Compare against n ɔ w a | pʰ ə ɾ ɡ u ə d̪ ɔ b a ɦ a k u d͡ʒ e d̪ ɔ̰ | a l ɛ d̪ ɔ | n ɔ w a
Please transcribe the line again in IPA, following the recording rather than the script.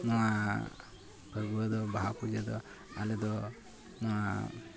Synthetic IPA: n ɔ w a | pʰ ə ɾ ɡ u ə d̪ ɔ b a ɦ a p u d͡ʒ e d̪ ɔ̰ | a l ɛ d̪ ɔ | n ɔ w a